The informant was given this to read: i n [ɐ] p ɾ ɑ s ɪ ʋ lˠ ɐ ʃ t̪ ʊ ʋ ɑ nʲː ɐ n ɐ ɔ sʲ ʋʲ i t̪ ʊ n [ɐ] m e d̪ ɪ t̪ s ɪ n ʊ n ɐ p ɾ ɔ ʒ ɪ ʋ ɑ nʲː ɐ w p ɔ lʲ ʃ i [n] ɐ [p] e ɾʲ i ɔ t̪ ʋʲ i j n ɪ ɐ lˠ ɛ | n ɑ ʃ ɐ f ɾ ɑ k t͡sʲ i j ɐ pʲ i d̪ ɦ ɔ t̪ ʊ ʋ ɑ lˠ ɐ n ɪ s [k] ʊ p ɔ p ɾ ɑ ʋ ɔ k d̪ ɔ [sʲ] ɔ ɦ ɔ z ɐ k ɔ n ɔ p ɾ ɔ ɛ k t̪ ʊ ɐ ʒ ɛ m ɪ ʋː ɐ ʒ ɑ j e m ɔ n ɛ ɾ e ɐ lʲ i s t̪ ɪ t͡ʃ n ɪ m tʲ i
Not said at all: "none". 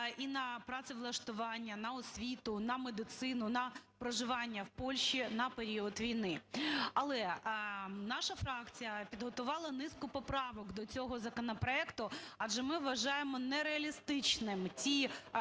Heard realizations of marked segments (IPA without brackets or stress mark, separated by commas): ɐ, ɐ, n, p, k, t͡sʲ